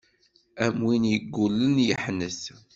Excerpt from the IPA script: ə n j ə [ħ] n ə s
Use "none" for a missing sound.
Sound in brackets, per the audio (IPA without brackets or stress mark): ħ